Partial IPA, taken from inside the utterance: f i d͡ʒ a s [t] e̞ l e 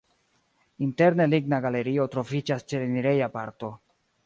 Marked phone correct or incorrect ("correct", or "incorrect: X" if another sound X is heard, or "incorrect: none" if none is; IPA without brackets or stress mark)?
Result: incorrect: t͡ʃ